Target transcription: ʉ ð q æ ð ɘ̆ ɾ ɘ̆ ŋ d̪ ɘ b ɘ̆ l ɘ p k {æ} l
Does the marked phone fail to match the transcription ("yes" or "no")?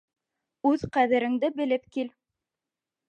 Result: yes